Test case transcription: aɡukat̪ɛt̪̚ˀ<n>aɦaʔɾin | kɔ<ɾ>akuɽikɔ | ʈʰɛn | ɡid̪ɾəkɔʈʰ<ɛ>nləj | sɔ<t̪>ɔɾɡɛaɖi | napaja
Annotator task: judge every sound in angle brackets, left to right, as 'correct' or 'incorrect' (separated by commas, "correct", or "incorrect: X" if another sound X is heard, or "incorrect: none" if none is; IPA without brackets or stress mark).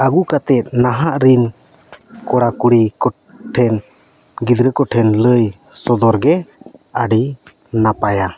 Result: correct, incorrect: ɽ, correct, incorrect: d̪